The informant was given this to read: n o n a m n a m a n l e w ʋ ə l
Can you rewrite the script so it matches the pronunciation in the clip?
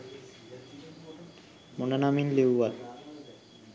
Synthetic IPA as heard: m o n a n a m i n l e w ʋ a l